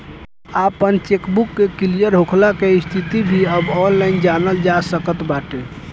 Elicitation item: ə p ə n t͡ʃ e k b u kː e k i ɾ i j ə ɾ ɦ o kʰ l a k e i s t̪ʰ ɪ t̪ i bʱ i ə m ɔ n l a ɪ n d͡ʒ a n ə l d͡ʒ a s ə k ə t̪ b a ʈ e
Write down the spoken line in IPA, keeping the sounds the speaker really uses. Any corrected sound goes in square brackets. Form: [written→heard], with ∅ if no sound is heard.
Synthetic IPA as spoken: [ə→a] p ə n t͡ʃ e k b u kː e k i [ɾ→l] i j ə ɾ ɦ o kʰ l a k e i s t̪ʰ [ɪ→i] t̪ i bʱ i ə [m→b] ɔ n l a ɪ n d͡ʒ a n ə l d͡ʒ a s ə k ə t̪ b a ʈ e